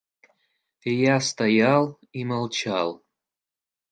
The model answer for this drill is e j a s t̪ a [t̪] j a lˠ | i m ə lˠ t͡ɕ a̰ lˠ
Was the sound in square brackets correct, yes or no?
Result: no